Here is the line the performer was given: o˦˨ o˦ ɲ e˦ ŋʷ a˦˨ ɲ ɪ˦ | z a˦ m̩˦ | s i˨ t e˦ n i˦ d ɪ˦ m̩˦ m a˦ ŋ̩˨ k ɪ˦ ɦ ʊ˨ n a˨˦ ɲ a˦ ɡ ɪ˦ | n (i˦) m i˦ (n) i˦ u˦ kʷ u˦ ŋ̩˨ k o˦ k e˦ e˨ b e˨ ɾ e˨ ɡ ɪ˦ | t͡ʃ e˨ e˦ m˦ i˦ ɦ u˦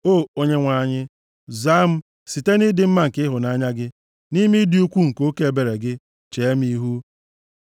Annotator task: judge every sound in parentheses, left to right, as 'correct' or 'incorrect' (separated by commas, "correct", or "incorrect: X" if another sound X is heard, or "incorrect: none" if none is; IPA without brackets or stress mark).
correct, incorrect: d